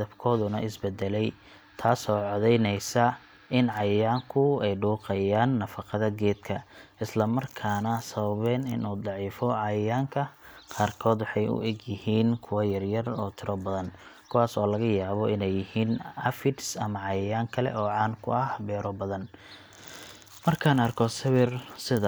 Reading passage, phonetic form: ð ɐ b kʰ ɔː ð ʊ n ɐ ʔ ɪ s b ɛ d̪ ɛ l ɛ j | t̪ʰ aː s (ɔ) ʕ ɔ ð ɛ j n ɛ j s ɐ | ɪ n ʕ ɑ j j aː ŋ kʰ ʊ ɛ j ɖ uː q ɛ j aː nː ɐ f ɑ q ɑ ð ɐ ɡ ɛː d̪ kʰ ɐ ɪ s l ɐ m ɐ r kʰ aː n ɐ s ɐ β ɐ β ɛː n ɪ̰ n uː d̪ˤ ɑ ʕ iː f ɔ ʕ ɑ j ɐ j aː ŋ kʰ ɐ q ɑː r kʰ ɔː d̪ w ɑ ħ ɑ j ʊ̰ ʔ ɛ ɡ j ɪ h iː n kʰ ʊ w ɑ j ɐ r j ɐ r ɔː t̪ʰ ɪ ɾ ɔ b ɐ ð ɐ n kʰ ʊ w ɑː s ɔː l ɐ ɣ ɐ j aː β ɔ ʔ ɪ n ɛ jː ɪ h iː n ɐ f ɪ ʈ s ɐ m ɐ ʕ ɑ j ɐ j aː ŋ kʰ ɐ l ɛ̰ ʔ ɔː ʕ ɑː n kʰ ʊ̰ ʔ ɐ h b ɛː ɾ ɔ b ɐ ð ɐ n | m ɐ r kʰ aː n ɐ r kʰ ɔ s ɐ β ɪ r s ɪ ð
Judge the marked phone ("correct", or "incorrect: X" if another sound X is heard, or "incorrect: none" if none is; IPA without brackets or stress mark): incorrect: ɔː